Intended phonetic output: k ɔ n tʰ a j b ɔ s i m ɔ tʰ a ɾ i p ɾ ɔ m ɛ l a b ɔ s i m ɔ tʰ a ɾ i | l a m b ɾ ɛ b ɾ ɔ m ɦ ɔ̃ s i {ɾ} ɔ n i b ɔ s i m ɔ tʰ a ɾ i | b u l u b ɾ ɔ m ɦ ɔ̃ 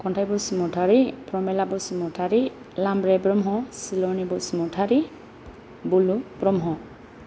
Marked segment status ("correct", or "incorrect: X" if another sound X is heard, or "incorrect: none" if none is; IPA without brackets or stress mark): incorrect: l